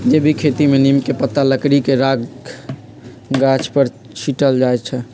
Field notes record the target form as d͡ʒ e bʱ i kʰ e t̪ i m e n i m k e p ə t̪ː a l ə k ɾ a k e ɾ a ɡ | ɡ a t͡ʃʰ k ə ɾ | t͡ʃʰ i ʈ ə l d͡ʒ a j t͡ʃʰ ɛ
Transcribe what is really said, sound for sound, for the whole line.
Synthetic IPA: d͡ʒ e bʱ i kʰ e t̪ i m e n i m k e p ə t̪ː a l ə k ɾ i k e ɾ a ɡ | ɡ a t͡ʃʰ p ə ɾ | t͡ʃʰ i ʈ ə l d͡ʒ a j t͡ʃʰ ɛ